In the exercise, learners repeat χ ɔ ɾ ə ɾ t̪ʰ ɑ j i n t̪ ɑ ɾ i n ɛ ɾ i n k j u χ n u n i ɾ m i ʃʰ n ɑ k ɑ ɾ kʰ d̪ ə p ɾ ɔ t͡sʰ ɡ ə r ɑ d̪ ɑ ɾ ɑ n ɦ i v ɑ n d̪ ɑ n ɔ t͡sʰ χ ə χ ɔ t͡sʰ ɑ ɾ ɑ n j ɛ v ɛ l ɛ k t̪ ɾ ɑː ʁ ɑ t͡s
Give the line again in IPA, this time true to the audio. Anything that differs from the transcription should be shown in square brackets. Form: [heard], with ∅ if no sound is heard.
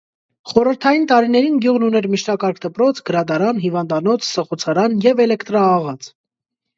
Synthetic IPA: χ ɔ ɾ ə ɾ t̪ʰ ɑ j i n t̪ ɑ ɾ i n ɛ ɾ i n [ɡ] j u [ʁ] n u n [ɛ] ɾ m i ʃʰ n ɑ k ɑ ɾ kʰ d̪ ə p ɾ ɔ t͡sʰ ɡ ə [ɾ] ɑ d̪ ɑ ɾ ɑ n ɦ i v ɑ n d̪ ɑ n ɔ t͡sʰ [s] ə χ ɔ t͡sʰ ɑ ɾ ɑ n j ɛ v ɛ l ɛ k t̪ ɾ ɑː ʁ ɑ t͡s